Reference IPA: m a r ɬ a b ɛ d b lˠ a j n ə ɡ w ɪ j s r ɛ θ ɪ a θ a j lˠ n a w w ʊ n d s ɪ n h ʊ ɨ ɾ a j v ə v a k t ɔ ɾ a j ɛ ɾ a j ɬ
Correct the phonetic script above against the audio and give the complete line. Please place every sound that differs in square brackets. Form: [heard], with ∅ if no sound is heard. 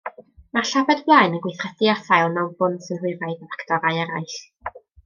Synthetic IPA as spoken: m a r ɬ a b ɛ d b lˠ a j n ə ɡ w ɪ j [θ] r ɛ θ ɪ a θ a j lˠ n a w [b] ʊ n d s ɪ n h ʊ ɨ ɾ a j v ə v a k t ɔ ɾ a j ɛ ɾ a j ɬ